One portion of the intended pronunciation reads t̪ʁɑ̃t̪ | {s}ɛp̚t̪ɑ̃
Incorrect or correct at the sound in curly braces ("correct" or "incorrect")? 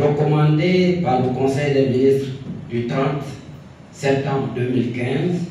correct